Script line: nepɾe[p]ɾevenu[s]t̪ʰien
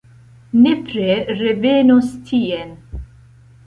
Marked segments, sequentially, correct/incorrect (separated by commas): incorrect, correct